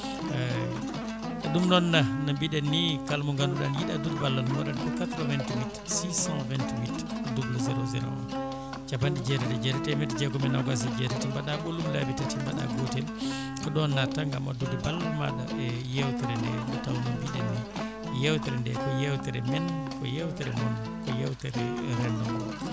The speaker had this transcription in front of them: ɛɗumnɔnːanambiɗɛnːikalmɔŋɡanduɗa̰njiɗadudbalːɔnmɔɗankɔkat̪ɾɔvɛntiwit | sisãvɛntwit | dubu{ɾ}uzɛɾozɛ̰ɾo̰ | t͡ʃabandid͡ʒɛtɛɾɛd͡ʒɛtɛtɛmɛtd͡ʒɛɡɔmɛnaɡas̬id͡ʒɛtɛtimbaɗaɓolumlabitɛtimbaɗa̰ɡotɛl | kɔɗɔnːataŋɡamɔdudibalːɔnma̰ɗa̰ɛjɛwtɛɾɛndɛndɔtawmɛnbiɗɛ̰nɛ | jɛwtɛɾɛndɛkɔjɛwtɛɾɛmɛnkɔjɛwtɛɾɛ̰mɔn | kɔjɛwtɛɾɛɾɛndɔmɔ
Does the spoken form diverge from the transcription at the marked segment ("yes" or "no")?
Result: yes